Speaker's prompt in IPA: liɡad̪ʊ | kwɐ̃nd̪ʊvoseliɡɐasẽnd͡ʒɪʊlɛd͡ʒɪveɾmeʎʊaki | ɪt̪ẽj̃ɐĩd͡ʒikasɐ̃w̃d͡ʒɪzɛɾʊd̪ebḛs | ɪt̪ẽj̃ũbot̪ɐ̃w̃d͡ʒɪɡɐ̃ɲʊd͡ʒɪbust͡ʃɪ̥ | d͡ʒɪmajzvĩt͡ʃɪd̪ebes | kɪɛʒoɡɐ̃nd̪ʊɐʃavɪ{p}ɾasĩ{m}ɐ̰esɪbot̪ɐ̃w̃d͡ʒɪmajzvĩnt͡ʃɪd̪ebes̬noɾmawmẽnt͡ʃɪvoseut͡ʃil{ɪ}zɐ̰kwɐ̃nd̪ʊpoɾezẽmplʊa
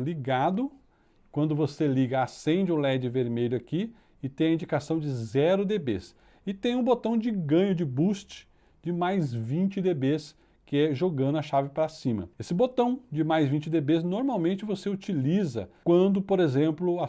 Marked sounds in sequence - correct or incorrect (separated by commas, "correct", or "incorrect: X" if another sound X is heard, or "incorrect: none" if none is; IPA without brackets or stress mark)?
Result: correct, correct, incorrect: i